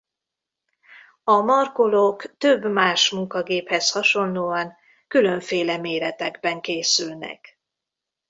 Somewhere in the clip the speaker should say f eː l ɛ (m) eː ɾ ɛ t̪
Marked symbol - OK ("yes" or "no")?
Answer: yes